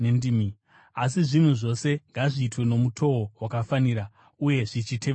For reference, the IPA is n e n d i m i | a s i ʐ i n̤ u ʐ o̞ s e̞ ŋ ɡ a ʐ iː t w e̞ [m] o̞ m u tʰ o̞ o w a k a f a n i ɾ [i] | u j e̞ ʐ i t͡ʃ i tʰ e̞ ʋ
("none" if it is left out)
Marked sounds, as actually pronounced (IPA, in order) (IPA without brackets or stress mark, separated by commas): n, a